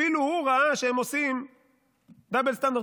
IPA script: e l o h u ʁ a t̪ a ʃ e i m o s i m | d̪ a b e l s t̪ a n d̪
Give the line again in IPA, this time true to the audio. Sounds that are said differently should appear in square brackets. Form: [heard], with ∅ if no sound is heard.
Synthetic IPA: [i] l [u] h u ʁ a [∅] a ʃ e [e] m o s i m | d̪ a b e l s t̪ a n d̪

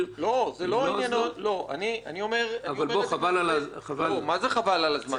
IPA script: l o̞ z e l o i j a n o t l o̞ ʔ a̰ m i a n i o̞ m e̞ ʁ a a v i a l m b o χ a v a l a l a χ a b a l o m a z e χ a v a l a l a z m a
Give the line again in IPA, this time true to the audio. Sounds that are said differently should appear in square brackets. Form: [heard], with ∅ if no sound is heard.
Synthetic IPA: l o̞ z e l o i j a n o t l o̞ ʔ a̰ [n] i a n i o̞ m e̞ ʁ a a v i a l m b o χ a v a l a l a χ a [v] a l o m a z e χ a v a l a l a z m a

